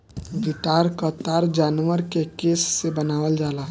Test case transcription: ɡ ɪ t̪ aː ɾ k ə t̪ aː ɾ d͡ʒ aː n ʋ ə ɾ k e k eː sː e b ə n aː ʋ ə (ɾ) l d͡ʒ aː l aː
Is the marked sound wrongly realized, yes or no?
yes